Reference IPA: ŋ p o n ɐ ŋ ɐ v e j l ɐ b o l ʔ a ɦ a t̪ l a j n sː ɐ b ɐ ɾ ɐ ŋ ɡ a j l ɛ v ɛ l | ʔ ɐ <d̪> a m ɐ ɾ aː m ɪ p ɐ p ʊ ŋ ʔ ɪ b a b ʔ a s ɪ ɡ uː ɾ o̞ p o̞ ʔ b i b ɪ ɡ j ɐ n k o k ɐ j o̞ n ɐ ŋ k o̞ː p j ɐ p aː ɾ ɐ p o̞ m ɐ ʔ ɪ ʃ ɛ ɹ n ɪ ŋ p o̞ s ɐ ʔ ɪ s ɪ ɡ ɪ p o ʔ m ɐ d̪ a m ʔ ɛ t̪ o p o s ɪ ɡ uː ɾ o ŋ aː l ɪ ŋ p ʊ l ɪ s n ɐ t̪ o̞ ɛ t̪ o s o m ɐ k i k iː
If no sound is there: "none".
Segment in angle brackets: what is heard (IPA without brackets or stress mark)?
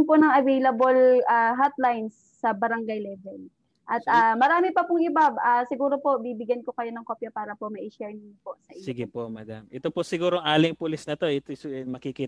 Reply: t̪